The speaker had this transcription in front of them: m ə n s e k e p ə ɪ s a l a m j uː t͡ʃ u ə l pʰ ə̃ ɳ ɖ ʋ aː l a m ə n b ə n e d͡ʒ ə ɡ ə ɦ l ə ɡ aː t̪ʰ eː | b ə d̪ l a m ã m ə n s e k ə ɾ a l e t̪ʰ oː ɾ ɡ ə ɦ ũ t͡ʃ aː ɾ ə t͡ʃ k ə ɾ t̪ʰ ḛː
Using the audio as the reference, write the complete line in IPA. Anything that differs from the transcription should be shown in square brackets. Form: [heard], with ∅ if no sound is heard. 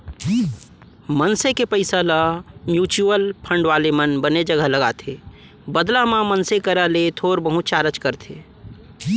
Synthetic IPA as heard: m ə n s e k e p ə ɪ s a l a m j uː t͡ʃ u ə l pʰ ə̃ ɳ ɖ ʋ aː l [e] m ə n b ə n e d͡ʒ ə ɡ ə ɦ l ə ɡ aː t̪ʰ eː | b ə d̪ l a m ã m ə n s e k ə ɾ a l e t̪ʰ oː ɾ [b] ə ɦ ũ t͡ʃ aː ɾ ə t͡ʃ k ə ɾ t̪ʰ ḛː